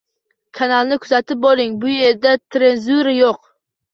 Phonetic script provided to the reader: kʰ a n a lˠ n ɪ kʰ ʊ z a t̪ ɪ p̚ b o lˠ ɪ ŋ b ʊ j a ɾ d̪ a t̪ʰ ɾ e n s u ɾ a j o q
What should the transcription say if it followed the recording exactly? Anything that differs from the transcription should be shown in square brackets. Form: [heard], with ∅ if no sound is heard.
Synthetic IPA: kʰ a n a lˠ n ɪ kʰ ʊ z a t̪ ɪ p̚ b o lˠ ɪ ŋ b ʊ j [e] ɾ d̪ a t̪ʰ ɾ e n [z] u ɾ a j o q